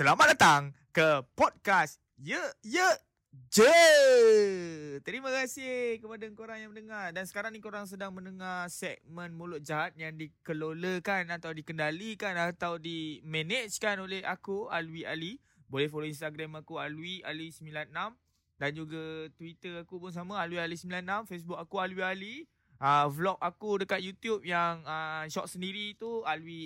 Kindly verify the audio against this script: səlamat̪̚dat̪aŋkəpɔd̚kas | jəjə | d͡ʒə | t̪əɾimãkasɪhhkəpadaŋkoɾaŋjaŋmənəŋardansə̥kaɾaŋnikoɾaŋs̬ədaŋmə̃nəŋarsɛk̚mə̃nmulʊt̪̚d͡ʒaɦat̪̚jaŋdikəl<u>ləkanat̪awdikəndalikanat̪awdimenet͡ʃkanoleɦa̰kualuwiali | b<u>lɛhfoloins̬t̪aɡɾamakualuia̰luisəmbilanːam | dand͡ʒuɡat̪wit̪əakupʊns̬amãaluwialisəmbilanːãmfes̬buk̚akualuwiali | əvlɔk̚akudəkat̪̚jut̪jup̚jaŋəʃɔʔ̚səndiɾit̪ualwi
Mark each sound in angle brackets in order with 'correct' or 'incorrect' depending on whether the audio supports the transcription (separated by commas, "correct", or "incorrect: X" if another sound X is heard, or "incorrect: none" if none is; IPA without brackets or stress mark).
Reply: incorrect: o, incorrect: o